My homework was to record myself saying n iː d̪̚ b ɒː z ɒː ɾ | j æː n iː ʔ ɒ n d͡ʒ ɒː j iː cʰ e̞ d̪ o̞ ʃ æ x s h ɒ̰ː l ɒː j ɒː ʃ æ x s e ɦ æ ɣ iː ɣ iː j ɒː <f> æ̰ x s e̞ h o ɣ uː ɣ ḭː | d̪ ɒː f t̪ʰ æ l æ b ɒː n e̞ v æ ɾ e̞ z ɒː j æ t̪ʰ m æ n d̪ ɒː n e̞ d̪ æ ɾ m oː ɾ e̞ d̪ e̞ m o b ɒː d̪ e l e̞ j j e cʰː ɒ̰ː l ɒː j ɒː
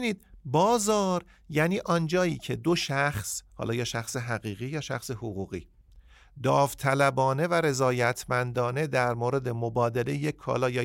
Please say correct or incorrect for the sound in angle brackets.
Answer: incorrect